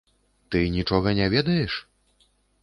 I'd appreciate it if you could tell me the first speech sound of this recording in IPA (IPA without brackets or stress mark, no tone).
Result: t̪